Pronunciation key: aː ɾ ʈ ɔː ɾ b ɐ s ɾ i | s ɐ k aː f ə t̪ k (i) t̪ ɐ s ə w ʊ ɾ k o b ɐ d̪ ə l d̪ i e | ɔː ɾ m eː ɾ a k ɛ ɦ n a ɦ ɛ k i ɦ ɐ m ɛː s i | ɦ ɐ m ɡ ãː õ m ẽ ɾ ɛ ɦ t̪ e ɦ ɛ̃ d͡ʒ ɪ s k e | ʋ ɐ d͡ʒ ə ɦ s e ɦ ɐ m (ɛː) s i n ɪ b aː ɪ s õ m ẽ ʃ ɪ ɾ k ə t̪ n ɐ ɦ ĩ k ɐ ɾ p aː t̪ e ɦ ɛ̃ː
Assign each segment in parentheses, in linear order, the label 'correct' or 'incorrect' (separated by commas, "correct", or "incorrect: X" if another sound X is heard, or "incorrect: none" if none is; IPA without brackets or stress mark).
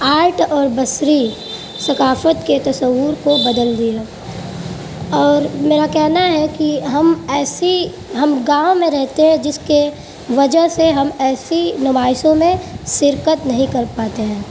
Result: incorrect: e, correct